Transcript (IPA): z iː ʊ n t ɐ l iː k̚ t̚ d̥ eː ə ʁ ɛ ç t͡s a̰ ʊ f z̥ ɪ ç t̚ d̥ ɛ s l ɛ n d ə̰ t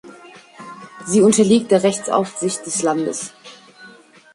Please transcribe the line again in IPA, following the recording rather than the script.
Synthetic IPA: z iː ʊ n t ɐ l iː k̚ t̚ d̥ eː ɐ ʁ ɛ ç t͡s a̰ ʊ f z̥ ɪ ç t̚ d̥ ɛ s l a n d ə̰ s

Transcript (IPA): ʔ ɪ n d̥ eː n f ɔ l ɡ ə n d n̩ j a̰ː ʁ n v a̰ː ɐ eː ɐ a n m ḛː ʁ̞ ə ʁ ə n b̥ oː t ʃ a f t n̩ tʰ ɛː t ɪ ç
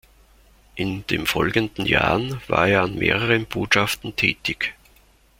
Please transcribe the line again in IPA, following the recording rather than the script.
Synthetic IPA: ʔ ɪ n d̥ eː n f ɔ l ɡ ə n d n̩ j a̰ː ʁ n v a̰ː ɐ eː ɐ a n m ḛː ʁ̞ ə ʁ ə n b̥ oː t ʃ a f t n̩ tʰ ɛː t ɪ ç

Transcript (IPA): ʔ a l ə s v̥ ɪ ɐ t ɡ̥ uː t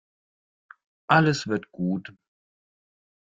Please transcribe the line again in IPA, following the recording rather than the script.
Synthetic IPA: ʔ a l ə s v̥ ɪ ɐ t ɡ̥ uː t

